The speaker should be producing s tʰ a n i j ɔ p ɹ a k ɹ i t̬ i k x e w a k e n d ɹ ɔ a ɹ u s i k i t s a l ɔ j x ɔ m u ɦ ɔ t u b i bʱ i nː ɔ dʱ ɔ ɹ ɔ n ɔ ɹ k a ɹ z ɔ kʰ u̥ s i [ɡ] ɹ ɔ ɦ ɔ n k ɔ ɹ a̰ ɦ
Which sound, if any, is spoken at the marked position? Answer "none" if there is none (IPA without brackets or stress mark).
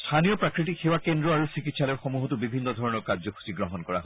ɡ